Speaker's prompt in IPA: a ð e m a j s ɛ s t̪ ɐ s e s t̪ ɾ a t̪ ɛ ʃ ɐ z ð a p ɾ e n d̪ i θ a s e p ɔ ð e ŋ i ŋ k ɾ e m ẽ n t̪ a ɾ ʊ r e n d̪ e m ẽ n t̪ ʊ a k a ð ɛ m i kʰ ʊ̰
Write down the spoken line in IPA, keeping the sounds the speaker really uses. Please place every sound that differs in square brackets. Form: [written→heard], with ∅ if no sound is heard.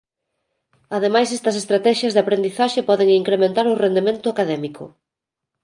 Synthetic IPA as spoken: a ð e m a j s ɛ s t̪ ɐ s e s t̪ ɾ a t̪ ɛ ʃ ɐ z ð a p ɾ e n d̪ i θ a [s→ʃ] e p ɔ ð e ŋ i ŋ k ɾ e m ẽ n t̪ a ɾ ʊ r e n d̪ e m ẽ n t̪ ʊ a k a ð ɛ m i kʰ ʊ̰